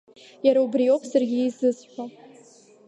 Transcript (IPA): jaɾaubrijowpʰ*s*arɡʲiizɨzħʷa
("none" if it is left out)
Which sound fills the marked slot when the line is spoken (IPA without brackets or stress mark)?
s